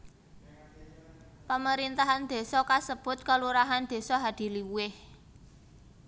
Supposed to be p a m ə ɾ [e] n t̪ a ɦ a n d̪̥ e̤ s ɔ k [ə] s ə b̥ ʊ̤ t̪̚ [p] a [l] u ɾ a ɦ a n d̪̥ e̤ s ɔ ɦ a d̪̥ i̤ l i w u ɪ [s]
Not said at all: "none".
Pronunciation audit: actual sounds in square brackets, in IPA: i, a, k, l, h

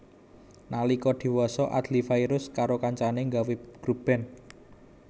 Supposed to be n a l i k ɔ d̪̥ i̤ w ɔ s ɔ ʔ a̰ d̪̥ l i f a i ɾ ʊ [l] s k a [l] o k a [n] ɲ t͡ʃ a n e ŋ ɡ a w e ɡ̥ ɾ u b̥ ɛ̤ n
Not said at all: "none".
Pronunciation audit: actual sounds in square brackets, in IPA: none, ɾ, none

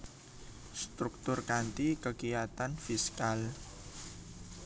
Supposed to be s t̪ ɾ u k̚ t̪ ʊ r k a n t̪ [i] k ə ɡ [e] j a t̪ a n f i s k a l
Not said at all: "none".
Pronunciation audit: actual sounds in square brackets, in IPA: i, i

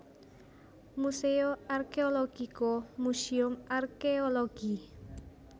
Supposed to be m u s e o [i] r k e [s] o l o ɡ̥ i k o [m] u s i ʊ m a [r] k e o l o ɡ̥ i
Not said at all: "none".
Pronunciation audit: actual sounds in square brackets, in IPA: a, none, m, r

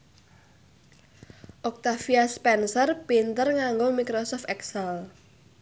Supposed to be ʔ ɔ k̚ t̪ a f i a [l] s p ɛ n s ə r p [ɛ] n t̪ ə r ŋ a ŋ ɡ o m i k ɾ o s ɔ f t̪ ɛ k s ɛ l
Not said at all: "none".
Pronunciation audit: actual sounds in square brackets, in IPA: none, i

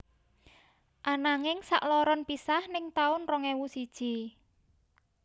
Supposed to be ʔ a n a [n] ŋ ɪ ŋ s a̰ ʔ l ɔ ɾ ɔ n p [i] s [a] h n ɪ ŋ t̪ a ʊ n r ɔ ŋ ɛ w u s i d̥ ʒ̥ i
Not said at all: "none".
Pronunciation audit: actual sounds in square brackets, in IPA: none, i, a

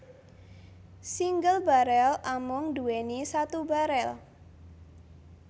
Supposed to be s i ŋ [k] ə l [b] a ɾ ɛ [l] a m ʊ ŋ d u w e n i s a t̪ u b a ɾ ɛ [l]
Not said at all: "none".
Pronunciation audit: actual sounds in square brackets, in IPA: ɡ, b, l, l

